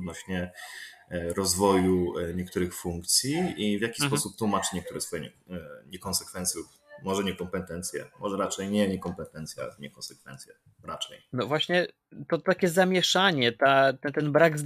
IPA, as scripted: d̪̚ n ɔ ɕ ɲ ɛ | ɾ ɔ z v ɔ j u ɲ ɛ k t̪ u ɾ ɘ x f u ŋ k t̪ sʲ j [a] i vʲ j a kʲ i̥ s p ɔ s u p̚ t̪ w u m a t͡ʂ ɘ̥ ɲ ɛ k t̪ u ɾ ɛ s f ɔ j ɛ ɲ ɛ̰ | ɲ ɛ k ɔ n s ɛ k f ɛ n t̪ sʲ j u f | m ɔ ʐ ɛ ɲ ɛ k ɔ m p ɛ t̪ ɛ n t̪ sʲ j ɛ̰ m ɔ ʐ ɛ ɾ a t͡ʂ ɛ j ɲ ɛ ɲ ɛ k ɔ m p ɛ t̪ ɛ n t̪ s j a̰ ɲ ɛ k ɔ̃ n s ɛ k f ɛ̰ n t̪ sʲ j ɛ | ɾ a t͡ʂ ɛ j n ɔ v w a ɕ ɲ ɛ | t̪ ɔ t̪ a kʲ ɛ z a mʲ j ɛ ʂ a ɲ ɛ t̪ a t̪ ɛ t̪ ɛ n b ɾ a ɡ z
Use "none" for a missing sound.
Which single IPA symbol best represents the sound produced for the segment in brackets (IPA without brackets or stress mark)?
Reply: i